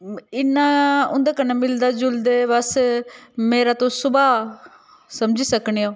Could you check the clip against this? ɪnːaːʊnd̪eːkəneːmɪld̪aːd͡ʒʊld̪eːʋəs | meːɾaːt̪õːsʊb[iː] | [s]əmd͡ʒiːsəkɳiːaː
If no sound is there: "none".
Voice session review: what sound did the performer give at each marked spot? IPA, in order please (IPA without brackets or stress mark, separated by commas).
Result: aː, s